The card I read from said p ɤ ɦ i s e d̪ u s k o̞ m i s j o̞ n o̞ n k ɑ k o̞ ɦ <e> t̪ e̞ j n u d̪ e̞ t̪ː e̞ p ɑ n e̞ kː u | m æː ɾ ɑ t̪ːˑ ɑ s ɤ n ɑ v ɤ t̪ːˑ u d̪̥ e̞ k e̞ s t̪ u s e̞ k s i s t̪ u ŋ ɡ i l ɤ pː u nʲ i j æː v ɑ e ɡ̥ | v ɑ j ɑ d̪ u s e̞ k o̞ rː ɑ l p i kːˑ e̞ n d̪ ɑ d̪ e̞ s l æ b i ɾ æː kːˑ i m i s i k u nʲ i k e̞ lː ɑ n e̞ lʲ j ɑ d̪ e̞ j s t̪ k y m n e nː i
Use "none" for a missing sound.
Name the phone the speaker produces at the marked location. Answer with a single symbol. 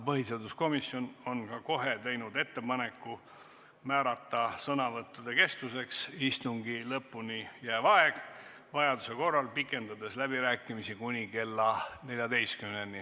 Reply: e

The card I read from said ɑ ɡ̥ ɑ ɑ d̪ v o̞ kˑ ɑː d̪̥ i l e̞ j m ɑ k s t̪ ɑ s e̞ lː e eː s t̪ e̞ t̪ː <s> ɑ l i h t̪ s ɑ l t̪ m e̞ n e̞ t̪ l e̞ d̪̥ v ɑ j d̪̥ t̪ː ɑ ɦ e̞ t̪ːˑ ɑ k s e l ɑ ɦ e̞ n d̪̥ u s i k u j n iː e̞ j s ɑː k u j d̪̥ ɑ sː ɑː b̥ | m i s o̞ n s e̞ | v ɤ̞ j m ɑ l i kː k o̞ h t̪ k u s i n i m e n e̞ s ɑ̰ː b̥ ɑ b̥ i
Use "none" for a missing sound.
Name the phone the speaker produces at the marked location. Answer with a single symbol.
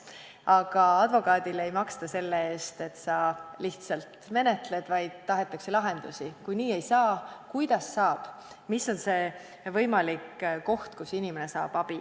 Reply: s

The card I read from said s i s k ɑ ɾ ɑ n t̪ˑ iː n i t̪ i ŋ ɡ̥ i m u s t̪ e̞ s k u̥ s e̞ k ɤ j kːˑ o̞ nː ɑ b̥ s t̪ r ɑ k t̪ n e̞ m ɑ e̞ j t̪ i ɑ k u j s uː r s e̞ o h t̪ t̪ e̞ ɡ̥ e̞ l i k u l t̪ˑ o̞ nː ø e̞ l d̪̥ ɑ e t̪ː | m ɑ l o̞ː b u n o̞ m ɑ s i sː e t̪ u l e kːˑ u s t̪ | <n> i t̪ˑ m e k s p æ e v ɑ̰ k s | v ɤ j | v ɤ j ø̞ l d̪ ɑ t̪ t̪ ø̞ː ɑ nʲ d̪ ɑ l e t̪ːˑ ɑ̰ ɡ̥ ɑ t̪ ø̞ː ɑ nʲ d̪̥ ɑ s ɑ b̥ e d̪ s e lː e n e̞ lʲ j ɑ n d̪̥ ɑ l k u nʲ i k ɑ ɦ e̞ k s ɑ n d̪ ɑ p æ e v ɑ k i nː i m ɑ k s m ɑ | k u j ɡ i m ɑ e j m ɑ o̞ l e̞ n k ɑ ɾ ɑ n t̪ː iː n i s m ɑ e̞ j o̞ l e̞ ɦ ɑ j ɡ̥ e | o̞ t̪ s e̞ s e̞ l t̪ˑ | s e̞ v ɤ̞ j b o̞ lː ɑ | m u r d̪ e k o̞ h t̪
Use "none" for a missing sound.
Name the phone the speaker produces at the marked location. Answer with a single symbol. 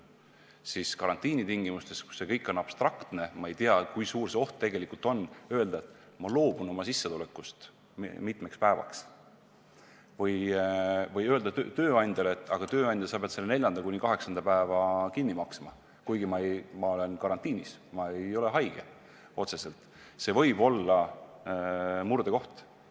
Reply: m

